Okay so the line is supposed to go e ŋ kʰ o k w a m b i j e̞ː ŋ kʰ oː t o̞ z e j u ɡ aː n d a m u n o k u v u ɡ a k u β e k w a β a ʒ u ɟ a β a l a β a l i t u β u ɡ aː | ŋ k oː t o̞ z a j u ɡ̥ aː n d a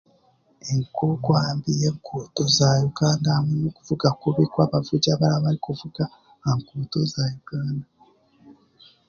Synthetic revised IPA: e ŋ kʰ o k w a m b i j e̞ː ŋ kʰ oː t o̞ z a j u ɡ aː n d a m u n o k u v u ɡ a k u β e k w a β a v u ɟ a β a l a β a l i k u v u ɡ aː | ŋ k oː t o̞ z a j u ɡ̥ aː n d a